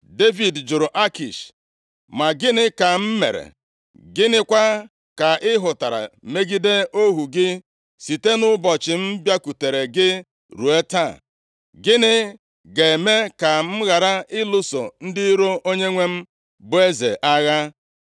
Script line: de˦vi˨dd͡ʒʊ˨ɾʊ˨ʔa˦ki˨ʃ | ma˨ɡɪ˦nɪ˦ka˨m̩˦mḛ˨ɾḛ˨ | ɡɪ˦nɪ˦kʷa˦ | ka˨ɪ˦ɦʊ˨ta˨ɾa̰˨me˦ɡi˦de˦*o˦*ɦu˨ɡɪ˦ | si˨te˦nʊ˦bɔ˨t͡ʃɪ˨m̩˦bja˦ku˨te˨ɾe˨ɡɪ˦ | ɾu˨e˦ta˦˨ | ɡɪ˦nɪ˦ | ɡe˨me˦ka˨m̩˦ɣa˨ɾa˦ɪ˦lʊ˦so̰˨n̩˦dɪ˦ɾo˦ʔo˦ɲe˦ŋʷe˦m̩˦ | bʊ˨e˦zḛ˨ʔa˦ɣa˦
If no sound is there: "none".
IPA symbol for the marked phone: o˦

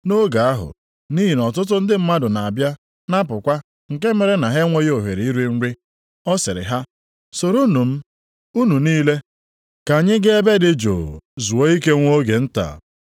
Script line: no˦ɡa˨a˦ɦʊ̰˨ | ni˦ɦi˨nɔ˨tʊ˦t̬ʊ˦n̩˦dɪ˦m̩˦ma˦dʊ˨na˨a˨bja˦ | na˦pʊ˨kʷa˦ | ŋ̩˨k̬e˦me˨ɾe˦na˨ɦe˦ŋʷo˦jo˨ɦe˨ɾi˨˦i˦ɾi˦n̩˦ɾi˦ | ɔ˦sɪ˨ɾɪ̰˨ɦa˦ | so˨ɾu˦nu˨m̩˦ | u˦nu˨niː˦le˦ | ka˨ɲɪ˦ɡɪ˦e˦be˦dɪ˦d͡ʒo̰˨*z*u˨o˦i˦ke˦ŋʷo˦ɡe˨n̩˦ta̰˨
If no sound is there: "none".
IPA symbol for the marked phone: z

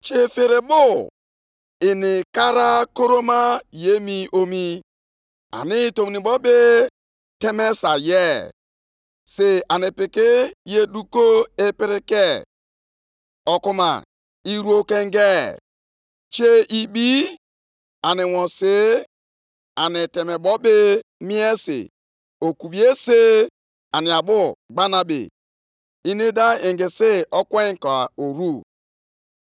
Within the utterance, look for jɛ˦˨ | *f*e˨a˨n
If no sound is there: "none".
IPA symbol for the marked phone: s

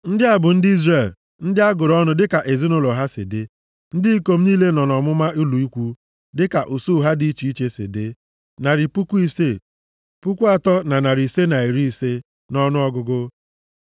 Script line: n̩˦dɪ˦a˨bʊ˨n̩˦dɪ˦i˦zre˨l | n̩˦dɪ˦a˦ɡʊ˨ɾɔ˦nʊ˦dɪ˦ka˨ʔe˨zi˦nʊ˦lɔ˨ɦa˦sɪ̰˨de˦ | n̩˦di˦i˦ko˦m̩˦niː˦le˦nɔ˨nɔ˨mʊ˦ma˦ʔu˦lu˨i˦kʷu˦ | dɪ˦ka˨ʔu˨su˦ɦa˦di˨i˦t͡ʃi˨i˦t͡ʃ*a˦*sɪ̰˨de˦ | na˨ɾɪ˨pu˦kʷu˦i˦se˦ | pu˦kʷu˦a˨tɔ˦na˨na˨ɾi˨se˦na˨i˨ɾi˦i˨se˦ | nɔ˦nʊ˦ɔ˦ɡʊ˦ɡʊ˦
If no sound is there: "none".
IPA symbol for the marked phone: e˦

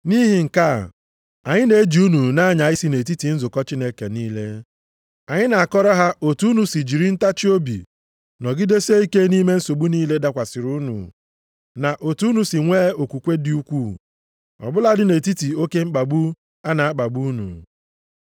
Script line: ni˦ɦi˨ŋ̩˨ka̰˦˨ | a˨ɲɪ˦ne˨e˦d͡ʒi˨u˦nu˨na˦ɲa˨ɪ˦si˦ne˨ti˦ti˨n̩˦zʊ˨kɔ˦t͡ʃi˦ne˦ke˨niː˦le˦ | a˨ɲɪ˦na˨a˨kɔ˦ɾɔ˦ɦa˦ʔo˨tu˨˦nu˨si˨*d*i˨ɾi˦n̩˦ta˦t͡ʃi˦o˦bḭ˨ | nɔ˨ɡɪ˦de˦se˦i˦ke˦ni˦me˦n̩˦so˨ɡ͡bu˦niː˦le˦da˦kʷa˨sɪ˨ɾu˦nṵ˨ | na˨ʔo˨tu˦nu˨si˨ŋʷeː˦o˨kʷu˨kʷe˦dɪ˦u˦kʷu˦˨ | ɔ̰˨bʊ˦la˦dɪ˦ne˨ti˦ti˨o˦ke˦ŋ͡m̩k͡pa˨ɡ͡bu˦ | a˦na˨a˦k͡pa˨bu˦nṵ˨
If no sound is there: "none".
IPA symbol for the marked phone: d͡ʒ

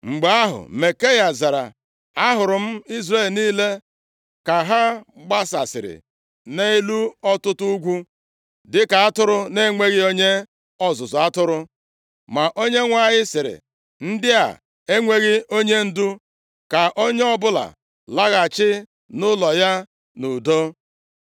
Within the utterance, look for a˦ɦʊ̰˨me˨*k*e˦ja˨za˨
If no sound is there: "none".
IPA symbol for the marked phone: k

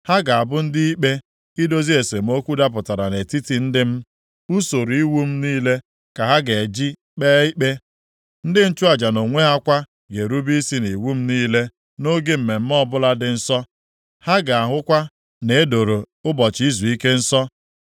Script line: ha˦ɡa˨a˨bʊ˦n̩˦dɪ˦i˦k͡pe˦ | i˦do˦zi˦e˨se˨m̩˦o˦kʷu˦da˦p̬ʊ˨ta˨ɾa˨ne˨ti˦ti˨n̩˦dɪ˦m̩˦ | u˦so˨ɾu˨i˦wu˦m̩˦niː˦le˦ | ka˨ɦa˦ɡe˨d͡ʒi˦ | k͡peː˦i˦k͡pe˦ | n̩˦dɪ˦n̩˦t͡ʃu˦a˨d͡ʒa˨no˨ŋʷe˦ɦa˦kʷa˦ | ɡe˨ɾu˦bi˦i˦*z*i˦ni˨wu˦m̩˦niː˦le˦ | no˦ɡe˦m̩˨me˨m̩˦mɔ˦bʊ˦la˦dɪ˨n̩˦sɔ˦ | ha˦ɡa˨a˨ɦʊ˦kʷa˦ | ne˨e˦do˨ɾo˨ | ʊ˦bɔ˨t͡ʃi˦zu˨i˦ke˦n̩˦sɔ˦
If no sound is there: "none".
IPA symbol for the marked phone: s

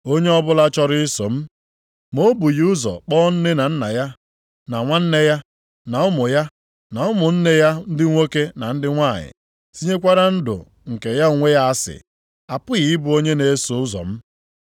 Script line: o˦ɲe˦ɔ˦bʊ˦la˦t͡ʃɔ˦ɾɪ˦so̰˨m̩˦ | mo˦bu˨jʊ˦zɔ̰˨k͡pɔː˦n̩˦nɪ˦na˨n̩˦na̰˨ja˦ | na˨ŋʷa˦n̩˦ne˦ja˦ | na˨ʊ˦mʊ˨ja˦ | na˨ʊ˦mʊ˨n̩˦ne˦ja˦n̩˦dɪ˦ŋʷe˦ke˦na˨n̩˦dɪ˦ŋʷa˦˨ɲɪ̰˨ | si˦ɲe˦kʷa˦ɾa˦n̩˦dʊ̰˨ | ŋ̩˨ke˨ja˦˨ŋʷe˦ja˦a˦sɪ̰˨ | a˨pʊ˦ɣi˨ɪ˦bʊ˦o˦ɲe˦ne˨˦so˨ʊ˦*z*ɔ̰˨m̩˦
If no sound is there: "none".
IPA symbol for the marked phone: z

